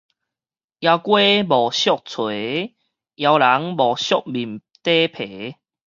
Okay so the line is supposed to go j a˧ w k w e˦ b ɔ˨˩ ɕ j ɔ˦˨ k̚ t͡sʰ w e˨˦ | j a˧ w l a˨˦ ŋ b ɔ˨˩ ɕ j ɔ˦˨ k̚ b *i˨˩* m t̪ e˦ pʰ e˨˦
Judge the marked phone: correct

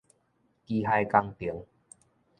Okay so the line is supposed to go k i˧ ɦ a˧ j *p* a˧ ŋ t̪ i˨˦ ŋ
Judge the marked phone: incorrect: k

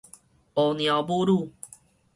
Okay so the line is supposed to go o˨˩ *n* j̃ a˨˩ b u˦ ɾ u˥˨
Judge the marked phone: correct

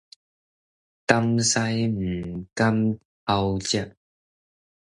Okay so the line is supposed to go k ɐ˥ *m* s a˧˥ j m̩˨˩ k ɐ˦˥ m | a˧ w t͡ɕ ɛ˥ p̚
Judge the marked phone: correct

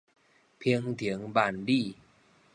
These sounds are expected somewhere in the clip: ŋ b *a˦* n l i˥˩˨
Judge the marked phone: incorrect: a˨˩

